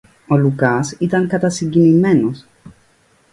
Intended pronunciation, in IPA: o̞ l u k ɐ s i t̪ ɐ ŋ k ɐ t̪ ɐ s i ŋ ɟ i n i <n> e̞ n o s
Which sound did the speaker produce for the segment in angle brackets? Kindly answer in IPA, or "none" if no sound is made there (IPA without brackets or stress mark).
m